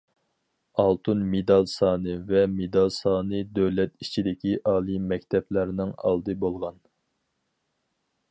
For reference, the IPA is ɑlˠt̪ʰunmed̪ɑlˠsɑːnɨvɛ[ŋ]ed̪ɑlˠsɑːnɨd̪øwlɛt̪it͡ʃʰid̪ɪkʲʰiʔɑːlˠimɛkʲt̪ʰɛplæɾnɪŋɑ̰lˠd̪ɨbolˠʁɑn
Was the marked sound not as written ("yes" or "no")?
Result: yes